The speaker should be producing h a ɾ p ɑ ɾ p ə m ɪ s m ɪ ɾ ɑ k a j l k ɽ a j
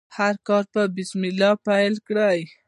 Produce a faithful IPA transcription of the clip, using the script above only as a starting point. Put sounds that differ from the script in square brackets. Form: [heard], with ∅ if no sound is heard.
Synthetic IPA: h a ɾ [k] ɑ ɾ p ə [b] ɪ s m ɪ [l] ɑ [p] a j l k ɽ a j